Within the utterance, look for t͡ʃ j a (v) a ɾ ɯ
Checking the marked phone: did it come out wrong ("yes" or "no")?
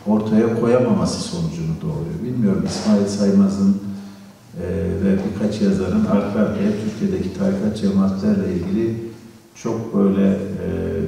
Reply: yes